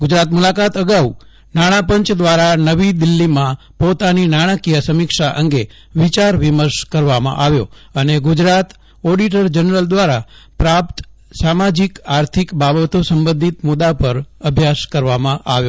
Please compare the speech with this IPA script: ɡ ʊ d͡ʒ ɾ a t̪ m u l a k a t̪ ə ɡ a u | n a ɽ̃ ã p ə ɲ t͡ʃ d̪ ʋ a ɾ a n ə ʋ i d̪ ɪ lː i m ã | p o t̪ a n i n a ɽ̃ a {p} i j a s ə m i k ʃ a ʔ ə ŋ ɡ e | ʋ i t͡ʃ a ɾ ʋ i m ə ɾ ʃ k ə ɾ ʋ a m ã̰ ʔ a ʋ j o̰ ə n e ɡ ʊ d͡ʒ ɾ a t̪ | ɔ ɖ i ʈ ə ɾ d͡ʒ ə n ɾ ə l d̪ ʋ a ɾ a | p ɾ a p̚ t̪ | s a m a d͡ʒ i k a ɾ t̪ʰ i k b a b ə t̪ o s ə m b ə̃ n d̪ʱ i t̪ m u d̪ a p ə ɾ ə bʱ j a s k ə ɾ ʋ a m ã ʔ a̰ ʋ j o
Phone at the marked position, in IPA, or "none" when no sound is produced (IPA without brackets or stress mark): k